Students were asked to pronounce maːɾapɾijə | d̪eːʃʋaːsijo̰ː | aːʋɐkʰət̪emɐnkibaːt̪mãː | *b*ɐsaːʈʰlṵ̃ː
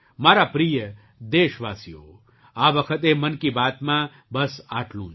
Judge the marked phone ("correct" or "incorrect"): correct